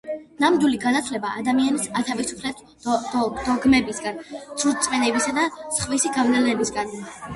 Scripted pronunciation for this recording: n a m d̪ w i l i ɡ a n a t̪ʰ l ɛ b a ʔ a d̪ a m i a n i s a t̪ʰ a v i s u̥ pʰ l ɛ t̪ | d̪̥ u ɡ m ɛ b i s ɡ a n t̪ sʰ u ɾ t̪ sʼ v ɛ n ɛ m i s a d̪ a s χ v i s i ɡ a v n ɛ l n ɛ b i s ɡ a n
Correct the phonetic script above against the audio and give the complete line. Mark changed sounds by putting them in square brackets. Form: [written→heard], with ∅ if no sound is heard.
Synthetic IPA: n a m d̪ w i l i ɡ a n a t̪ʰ l ɛ b a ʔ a d̪ a m i a n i s a t̪ʰ a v i s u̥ pʰ l ɛ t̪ | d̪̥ [u→ɔ] ɡ m ɛ b i s ɡ a n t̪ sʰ u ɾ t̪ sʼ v ɛ n ɛ [m→b] i s a d̪ a s χ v i s i ɡ a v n ɛ l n ɛ b i s ɡ a n